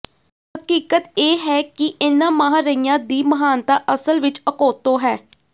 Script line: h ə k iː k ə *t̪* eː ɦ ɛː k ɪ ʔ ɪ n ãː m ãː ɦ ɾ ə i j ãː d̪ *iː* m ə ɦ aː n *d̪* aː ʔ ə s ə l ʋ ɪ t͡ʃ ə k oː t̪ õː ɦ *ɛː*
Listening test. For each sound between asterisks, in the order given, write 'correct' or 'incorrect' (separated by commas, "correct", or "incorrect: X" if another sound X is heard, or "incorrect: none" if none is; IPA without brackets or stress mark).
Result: correct, correct, incorrect: t̪, correct